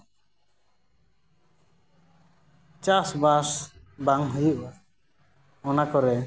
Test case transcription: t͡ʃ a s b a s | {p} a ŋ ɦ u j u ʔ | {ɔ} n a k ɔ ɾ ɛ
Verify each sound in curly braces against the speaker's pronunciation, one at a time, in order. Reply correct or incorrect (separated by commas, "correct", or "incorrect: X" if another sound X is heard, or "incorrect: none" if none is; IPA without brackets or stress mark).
incorrect: b, correct